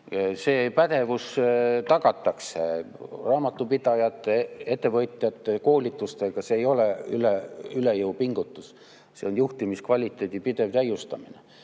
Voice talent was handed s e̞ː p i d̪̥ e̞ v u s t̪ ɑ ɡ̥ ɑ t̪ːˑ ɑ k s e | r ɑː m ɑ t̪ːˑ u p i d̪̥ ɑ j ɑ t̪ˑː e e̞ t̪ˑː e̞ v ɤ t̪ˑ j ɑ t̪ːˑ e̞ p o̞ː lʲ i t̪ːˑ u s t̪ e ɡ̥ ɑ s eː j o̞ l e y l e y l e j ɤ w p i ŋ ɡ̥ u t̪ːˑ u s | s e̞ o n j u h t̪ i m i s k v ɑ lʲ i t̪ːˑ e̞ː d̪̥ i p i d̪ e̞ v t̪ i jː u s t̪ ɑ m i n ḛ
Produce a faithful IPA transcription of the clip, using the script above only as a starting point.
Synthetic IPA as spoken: s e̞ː p æ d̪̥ e̞ v u s t̪ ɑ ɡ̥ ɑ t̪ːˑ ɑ k s e | r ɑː m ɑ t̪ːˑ u p i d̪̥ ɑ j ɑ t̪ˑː e e̞ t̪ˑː e̞ v ɤ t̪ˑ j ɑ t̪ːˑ e̞ k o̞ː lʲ i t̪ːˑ u s t̪ e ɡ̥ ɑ s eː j o̞ l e y l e y l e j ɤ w p i ŋ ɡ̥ u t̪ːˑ u s | s e̞ o n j u h t̪ i m i s k v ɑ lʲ i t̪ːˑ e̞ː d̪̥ i p i d̪ e̞ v t̪ æ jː u s t̪ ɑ m i n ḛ